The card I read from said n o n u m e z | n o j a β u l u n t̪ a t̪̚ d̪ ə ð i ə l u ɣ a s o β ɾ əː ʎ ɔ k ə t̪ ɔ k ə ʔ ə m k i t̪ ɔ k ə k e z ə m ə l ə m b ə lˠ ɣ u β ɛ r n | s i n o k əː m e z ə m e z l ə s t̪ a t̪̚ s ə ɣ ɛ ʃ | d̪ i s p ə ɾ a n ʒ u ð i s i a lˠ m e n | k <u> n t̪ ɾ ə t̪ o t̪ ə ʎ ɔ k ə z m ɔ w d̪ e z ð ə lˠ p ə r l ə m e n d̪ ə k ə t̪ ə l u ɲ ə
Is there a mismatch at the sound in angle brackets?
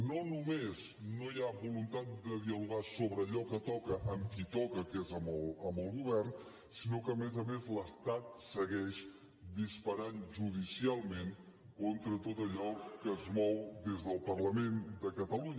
yes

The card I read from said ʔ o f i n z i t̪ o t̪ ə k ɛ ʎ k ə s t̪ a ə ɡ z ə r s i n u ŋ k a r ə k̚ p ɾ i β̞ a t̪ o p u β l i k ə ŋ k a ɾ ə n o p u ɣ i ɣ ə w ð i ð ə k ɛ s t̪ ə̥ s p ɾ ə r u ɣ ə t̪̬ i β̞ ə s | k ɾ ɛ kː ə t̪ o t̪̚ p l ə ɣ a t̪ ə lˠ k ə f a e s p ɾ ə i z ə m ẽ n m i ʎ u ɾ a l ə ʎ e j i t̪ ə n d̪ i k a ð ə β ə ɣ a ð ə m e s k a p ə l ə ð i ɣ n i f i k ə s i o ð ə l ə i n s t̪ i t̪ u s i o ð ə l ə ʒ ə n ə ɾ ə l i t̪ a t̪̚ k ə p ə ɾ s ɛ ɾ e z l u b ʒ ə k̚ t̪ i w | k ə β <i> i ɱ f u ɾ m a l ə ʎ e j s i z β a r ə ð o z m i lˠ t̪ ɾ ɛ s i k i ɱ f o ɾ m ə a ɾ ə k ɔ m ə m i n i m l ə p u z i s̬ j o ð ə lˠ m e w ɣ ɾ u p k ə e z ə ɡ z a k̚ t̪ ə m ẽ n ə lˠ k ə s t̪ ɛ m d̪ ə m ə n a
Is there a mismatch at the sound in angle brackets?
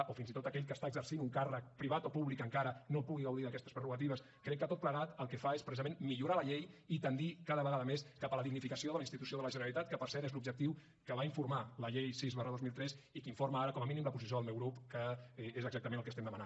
yes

